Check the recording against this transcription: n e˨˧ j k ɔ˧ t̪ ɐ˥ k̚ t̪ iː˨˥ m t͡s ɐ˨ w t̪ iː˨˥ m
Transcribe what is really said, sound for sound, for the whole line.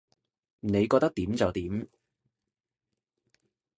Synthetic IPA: n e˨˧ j k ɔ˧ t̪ ɐ˥ k̚ t̪ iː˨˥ m t͡s ɐ˨ w t̪ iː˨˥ m

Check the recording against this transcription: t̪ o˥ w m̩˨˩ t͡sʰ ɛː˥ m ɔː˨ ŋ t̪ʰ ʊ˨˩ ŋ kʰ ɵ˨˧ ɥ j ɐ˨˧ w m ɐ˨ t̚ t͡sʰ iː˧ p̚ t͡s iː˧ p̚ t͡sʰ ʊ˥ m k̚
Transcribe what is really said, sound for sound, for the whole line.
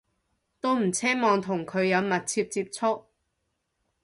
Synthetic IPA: t̪ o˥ w m̩˨˩ t͡sʰ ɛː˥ m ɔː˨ ŋ t̪ʰ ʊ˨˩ ŋ kʰ ɵ˨˧ ɥ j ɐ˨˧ w m ɐ˨ t̚ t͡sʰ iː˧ p̚ t͡s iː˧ p̚ t͡sʰ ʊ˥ k̚

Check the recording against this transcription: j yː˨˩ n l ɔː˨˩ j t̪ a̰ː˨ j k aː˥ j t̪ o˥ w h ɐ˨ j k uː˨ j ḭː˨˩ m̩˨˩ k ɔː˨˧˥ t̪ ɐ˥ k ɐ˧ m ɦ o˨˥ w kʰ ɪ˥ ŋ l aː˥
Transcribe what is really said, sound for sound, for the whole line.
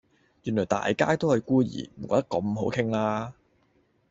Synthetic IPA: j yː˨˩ n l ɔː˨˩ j t̪ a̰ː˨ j k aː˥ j t̪ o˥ w h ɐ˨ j k uː˥ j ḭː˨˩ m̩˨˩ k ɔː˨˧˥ t̪ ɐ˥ k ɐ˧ m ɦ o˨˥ w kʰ ɪ˥ ŋ l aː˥

